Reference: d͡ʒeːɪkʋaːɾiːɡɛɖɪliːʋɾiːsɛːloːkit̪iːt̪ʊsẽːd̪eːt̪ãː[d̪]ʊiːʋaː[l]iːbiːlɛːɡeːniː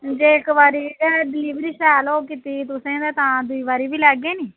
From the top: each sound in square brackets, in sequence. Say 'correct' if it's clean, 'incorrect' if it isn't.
correct, incorrect: ɾ

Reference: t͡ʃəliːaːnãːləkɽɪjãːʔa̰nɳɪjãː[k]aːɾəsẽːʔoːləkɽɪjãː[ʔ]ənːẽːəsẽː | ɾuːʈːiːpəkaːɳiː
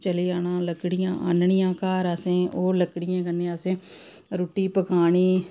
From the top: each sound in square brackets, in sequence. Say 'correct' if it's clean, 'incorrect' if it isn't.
correct, incorrect: k

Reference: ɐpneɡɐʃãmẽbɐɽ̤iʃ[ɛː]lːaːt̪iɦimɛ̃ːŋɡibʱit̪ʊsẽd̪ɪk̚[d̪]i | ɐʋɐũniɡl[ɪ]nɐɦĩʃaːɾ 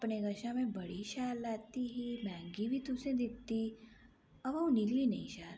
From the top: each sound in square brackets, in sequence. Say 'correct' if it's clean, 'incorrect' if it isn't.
incorrect: aː, incorrect: t̪, incorrect: i

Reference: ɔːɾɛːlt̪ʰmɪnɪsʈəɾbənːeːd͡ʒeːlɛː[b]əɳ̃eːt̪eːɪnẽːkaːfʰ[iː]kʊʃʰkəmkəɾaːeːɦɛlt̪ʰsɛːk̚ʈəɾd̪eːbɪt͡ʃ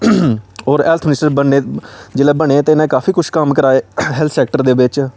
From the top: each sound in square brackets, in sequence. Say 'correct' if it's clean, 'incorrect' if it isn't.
correct, correct

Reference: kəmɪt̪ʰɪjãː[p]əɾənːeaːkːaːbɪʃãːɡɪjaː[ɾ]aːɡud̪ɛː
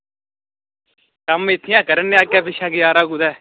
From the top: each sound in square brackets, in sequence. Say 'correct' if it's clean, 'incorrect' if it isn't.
incorrect: k, correct

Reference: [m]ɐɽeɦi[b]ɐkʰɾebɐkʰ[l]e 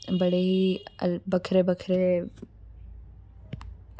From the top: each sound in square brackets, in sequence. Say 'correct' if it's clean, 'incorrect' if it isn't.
incorrect: b, correct, incorrect: ɾ

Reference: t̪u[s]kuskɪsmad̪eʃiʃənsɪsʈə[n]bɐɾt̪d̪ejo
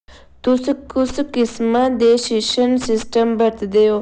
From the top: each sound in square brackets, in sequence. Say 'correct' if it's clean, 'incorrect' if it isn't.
correct, incorrect: m

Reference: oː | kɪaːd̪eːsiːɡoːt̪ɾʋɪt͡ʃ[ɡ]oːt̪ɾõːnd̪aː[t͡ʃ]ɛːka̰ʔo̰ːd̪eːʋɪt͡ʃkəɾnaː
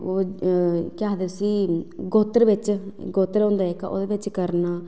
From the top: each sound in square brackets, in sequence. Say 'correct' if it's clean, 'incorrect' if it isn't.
correct, incorrect: none

